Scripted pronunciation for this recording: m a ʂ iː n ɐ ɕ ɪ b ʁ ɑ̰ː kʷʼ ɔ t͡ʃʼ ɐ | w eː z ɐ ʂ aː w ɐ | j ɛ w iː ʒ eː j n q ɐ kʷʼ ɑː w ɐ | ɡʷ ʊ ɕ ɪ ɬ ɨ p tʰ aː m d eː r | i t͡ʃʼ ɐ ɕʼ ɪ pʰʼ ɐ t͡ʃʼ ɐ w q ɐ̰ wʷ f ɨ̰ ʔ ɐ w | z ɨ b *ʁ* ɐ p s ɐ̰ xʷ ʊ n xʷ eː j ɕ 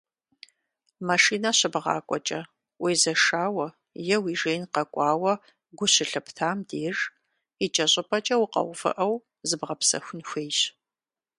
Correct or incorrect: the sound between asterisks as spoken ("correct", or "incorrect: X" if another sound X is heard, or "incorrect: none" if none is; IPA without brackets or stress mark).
correct